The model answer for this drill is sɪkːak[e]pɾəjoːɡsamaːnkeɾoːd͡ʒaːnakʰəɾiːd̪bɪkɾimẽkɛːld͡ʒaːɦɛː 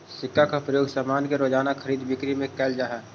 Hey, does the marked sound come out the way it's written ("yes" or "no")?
no